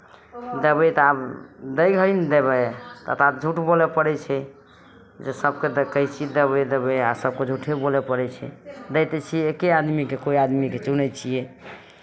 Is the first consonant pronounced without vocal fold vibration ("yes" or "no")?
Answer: no